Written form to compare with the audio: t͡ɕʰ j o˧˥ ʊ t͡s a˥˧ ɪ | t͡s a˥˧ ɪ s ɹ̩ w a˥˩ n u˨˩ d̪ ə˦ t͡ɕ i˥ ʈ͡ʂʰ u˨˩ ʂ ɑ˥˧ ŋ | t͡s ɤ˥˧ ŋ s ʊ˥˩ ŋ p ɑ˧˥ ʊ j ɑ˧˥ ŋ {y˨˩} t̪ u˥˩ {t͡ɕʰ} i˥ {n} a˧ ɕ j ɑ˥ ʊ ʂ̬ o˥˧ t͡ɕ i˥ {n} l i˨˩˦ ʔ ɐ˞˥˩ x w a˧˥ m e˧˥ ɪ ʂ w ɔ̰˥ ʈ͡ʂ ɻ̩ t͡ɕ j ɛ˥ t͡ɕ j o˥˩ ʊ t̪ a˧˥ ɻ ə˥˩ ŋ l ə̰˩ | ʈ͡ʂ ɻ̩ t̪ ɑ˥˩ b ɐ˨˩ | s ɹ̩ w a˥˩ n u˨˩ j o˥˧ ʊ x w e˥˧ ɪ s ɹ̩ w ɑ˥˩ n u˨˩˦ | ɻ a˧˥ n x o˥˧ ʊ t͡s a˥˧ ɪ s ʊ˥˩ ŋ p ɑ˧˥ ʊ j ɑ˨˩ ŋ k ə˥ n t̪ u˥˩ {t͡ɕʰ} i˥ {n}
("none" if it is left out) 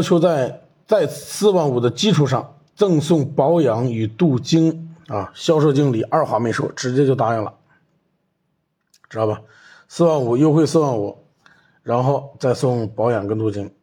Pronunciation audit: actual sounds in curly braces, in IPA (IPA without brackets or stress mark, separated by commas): y˨˩, t͡ɕ, ŋ, ŋ, t͡ɕ, ŋ